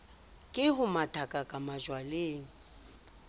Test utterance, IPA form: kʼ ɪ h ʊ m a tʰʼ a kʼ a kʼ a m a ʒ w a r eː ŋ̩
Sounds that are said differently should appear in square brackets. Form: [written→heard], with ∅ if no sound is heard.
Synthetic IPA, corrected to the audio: kʼ ɪ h ʊ m a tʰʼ a kʼ a kʼ a m a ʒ w a [r→l] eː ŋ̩

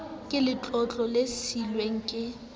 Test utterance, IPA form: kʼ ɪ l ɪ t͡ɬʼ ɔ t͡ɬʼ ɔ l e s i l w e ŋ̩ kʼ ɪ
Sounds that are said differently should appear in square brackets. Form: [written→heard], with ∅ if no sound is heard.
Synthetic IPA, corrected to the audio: kʼ ɪ l ɪ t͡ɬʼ ɔ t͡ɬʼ ɔ l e s i l w e ŋ̩ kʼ ɪ

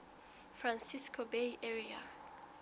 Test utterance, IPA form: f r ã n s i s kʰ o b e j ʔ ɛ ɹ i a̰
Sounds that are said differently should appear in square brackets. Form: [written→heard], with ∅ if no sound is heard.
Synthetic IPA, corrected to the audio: f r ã n s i s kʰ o b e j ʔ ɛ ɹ i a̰

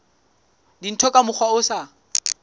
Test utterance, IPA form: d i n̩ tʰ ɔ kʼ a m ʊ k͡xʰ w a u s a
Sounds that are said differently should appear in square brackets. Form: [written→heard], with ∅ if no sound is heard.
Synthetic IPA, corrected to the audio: d i n̩ tʰ ɔ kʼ a m ʊ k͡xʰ w a [u→ʊ] s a

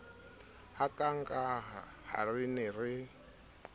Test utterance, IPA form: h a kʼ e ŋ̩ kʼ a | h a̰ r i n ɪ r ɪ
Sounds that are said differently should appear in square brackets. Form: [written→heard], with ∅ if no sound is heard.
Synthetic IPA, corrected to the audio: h a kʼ [e→a] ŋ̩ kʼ a | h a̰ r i n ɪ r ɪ

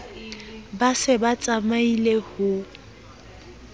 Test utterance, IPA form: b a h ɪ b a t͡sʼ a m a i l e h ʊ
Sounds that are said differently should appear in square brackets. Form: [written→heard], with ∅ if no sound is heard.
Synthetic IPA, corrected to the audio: b a [h→s] ɪ b a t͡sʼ a m a i l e h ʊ

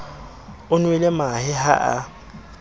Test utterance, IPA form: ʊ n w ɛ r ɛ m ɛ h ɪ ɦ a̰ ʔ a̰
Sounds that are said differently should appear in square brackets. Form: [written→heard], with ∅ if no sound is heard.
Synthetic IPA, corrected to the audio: ʊ n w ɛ [r→l] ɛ m [ɛ→a] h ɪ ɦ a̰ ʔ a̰

